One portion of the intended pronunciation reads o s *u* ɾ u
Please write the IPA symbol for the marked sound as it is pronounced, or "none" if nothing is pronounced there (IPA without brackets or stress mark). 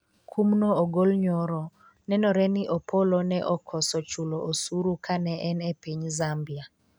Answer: u